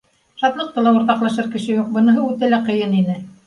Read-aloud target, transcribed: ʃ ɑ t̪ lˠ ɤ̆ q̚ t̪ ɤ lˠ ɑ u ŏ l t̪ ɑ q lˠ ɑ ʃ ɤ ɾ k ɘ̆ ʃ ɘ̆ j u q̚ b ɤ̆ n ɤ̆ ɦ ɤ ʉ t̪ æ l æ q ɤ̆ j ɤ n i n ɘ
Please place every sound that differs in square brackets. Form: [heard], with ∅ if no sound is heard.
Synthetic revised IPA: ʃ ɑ t̪ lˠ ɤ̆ q̚ t̪ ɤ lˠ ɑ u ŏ [ɾ] t̪ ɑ q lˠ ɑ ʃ ɤ ɾ k ɘ̆ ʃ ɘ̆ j u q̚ b ɤ̆ n ɤ̆ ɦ ɤ ʉ t̪ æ l æ q ɤ̆ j ɤ n i n ɘ